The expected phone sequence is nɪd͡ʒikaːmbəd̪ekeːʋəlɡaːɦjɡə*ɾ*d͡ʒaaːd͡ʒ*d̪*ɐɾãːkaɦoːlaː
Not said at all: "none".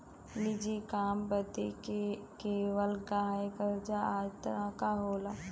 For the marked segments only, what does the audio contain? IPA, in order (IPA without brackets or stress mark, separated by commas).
ɾ, t̪